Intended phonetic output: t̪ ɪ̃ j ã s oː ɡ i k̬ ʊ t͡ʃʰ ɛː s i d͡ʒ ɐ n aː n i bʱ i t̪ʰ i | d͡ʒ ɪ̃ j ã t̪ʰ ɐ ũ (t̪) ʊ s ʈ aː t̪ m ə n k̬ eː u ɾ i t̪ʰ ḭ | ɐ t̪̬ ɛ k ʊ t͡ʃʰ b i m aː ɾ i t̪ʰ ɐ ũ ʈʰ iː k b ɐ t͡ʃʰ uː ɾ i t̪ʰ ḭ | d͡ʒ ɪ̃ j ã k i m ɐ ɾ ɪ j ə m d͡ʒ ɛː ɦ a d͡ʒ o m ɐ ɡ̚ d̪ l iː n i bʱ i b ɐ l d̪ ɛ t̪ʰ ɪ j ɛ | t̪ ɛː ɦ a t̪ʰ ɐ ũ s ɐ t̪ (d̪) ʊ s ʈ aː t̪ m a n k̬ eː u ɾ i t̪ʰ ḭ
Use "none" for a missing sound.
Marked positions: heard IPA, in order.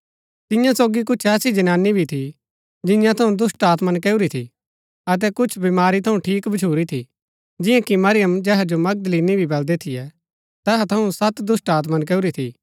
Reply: d̪, d̪

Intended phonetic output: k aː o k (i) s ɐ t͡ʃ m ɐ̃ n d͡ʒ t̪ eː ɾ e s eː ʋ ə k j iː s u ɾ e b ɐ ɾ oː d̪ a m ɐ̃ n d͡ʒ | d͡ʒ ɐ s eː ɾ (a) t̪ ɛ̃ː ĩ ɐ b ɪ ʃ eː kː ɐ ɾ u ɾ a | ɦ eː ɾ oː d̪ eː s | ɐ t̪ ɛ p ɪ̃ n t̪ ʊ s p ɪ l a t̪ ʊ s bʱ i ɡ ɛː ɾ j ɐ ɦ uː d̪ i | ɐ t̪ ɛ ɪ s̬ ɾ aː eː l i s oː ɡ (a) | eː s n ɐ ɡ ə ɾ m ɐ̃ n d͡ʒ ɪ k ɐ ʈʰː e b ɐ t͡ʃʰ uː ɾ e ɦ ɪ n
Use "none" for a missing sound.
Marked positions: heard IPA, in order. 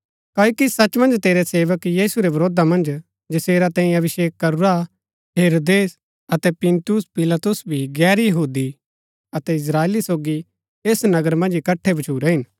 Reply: i, a, i

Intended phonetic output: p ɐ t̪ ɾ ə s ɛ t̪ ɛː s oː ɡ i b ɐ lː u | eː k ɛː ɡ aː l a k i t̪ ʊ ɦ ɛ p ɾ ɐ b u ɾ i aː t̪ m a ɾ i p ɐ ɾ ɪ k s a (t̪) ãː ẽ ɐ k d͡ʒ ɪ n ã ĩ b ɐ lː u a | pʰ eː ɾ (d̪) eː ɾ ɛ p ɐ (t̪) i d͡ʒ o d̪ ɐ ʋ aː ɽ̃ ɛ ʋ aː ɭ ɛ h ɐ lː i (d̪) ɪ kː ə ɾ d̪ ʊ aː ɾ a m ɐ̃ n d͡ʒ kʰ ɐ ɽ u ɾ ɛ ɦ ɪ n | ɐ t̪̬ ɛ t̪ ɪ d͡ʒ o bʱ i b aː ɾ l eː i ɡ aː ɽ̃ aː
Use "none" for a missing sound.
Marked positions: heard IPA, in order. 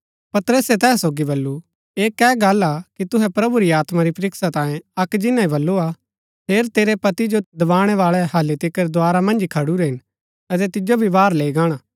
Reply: t̪, t̪, t̪, t̪

